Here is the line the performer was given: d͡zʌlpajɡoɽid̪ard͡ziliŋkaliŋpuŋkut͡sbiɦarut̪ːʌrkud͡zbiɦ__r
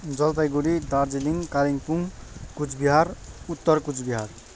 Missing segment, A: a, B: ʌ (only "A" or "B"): A